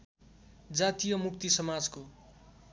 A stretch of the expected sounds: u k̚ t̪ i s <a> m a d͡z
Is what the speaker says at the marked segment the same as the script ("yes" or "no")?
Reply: no